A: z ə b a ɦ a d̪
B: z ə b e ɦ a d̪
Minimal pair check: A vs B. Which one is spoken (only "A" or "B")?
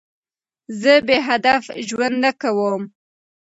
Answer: B